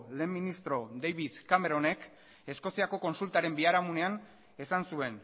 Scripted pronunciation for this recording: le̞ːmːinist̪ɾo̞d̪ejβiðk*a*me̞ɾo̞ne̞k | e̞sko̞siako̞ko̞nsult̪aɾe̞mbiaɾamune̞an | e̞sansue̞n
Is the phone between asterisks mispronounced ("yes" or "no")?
no